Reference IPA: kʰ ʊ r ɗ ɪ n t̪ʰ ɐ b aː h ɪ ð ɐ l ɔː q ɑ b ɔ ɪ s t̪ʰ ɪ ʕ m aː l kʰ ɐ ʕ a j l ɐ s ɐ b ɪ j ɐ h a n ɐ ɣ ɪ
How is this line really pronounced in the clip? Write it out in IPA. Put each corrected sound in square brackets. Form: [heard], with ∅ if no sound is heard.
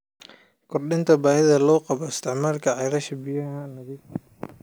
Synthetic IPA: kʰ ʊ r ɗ ɪ n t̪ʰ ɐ b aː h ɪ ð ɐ l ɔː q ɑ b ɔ ɪ s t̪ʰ ɪ ʕ m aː l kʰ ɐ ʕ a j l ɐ [ʃ] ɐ b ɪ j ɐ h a n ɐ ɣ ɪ